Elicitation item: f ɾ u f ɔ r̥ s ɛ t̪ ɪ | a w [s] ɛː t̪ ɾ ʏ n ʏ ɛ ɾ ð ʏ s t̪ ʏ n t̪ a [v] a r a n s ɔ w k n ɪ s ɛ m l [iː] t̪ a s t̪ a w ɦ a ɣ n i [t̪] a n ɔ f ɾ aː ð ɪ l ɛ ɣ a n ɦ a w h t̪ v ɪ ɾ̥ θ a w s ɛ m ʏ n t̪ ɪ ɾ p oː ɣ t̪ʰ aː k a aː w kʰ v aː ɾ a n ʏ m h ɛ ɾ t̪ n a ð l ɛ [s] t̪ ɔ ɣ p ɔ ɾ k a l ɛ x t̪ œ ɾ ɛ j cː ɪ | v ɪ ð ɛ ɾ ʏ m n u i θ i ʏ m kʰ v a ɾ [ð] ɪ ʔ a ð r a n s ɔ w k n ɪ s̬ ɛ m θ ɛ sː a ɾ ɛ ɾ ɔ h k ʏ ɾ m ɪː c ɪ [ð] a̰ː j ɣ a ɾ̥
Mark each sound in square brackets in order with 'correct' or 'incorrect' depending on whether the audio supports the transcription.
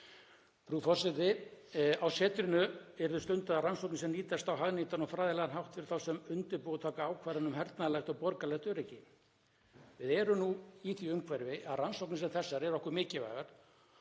correct, incorrect: ð, correct, correct, incorrect: x, incorrect: v, incorrect: v

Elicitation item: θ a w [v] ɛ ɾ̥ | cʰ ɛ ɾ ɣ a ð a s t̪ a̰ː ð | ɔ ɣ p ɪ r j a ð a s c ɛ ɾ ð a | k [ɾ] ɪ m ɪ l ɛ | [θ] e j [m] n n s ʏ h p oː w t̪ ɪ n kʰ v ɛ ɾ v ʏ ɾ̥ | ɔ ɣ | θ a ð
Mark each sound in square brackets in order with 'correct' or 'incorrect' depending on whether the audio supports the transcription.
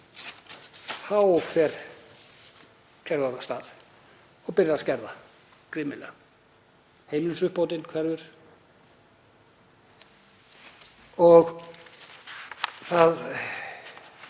incorrect: f, correct, incorrect: h, correct

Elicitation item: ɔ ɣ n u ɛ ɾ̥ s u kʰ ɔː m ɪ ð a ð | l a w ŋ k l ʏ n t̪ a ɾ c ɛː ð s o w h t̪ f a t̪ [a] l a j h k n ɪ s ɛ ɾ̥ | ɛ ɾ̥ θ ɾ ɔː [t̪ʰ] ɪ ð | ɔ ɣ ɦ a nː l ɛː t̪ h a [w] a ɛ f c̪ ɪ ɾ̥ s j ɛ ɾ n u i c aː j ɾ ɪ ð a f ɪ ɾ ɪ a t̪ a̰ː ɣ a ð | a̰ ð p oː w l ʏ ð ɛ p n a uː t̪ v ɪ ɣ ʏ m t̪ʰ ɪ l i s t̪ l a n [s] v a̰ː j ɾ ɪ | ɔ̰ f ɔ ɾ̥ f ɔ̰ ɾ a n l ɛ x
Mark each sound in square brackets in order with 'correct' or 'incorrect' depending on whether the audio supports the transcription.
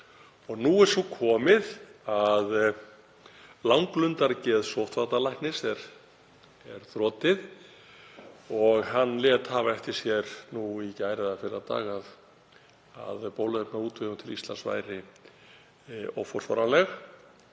correct, incorrect: t̪, incorrect: v, correct

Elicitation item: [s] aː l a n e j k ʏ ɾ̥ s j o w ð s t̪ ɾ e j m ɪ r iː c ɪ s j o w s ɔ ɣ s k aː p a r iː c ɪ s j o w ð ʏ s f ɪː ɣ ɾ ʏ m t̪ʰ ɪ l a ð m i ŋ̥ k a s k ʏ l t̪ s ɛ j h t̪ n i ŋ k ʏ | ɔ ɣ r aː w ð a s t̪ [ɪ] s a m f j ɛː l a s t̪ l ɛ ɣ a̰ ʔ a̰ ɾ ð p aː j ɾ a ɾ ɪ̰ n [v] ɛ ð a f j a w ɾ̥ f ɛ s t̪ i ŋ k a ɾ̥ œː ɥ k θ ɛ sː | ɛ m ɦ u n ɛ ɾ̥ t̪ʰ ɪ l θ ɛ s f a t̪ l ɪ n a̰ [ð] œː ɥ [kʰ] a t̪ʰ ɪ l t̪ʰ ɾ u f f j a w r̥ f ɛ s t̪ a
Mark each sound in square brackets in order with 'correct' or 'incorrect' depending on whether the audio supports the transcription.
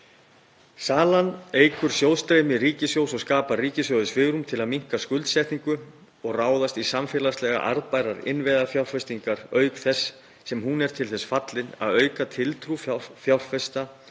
correct, incorrect: i, correct, correct, incorrect: k

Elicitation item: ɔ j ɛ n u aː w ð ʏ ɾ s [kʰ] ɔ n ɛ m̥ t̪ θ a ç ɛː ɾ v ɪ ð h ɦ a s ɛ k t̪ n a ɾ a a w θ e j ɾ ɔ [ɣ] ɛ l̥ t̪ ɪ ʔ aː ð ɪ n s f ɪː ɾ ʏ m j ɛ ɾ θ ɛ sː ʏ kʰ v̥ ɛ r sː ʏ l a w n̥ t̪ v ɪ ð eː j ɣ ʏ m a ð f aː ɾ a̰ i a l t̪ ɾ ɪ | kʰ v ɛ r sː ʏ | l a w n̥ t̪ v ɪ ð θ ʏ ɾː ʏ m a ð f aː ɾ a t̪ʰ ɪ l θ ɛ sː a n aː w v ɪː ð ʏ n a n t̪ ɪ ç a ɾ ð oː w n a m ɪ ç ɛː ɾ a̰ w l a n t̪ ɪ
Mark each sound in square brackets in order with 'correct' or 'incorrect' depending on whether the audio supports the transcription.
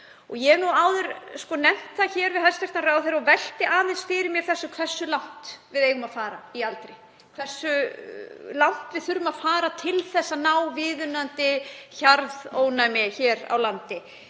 incorrect: k, incorrect: v

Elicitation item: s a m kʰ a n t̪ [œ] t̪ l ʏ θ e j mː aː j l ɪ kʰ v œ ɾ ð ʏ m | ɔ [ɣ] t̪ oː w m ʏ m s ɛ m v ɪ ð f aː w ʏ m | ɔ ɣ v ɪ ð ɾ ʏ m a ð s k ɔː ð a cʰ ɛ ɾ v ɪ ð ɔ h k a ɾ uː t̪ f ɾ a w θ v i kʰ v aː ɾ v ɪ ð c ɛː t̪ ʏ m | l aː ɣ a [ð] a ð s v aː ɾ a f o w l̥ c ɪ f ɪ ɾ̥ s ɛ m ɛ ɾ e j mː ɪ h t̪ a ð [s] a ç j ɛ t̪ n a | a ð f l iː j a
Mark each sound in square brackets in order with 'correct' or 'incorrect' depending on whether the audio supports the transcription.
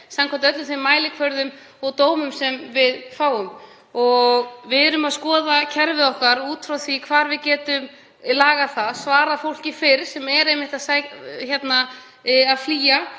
correct, correct, incorrect: θ, correct

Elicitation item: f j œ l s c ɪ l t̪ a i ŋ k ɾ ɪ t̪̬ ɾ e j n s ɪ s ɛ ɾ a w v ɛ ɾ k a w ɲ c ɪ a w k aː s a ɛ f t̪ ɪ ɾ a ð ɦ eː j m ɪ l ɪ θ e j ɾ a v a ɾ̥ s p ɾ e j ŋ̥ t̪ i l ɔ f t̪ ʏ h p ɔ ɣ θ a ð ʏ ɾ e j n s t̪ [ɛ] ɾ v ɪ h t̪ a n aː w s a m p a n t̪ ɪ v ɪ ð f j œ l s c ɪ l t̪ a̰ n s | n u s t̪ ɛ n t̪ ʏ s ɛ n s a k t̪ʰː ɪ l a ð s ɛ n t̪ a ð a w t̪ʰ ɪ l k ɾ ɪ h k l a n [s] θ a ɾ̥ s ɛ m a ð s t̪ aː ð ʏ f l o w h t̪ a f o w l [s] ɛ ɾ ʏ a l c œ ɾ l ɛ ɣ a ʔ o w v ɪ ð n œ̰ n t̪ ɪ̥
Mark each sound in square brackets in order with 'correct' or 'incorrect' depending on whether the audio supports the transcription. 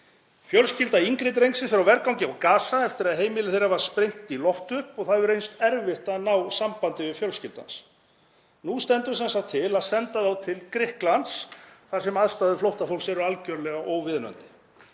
correct, correct, correct

